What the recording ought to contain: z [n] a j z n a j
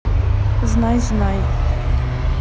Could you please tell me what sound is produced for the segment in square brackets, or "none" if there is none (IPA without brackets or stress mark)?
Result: n